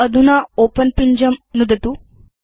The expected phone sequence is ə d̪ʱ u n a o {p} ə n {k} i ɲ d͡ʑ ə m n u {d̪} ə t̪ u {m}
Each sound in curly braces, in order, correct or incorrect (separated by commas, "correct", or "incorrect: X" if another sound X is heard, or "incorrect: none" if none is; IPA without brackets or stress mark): correct, incorrect: p, correct, incorrect: none